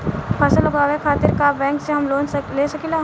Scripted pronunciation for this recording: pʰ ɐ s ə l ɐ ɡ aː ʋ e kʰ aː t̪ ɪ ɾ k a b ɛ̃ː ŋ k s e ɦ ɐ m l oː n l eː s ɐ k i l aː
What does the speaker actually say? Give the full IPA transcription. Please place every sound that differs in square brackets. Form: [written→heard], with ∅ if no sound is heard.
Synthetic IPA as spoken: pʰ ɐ s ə l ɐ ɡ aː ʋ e kʰ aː t̪ ɪ ɾ k a b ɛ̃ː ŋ k s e ɦ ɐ m l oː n l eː s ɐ k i l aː